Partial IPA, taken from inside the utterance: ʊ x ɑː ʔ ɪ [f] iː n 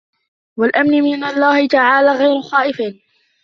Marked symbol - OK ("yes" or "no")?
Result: yes